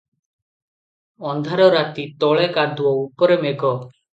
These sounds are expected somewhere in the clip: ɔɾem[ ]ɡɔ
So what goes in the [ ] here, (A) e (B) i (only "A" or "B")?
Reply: A